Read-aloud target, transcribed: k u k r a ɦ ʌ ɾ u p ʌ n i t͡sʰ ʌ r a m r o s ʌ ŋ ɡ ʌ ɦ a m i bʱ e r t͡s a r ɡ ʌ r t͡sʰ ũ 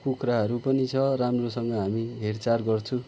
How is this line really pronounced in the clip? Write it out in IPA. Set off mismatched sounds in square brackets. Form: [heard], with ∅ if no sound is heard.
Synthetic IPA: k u k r a ɦ ʌ ɾ u p ʌ n i t͡sʰ ʌ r a m r o s ʌ ŋ ɡ ʌ ɦ a m i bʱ e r t͡s a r ɡ ʌ r t͡sʰ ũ